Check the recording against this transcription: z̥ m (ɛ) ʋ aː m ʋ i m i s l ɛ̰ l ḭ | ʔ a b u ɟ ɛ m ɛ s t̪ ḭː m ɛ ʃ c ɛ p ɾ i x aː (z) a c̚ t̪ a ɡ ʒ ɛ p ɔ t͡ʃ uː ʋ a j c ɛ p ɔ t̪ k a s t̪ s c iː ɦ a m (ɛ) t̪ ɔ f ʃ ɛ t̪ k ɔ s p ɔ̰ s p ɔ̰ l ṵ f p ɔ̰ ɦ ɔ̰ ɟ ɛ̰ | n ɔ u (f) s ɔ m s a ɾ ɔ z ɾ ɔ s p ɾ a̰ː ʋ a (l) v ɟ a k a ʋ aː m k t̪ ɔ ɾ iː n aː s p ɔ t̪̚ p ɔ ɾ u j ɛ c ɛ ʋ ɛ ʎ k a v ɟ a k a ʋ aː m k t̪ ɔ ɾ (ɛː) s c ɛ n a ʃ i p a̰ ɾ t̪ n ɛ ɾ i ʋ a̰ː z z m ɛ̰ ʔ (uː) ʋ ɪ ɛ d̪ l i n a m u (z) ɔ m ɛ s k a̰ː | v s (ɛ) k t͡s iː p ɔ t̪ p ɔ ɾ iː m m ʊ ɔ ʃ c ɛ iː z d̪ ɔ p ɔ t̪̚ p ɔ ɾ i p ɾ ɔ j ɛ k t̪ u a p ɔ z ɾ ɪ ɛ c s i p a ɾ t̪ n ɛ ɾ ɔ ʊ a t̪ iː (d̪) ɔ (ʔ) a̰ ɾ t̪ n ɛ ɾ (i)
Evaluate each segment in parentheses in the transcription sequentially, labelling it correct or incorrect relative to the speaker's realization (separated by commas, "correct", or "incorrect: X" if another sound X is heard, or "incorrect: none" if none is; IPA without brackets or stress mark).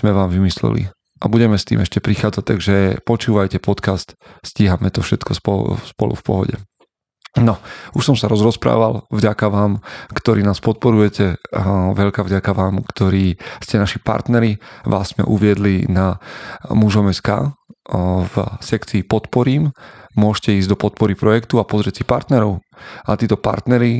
correct, incorrect: d͡z, correct, incorrect: ʃ, correct, incorrect: iː, incorrect: u, incorrect: ʒ, correct, incorrect: t̪, incorrect: p, correct